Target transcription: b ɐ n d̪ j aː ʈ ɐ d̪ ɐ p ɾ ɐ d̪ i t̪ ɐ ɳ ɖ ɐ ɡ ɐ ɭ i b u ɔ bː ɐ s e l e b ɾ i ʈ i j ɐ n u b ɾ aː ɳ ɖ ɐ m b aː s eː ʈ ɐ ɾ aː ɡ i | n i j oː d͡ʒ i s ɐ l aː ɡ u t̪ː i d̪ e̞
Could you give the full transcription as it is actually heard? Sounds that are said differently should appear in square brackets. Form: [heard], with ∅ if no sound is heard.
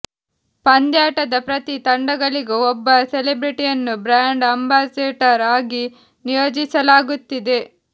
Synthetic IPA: [p] ɐ n d̪ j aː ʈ ɐ d̪ ɐ p ɾ ɐ [t̪] i t̪ ɐ ɳ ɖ ɐ ɡ ɐ ɭ i [ɡ] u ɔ bː ɐ s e l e b ɾ i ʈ i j ɐ [nː] u b ɾ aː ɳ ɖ ɐ m b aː s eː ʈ ɐ ɾ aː ɡ i | n i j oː d͡ʒ i s ɐ l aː ɡ u t̪ː i d̪ e̞